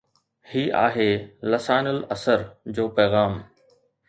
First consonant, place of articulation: glottal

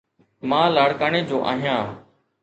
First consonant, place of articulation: labial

